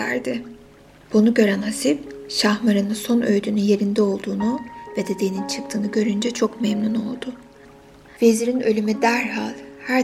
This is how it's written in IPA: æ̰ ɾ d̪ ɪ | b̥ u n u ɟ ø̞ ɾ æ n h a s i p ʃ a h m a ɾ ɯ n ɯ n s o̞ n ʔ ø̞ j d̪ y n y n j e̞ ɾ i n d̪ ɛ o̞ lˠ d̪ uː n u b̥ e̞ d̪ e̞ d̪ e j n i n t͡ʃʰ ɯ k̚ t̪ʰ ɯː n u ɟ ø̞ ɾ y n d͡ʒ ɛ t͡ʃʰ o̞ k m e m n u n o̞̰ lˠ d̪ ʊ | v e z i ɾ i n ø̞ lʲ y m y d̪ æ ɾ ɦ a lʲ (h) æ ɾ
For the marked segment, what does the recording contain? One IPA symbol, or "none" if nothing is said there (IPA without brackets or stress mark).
h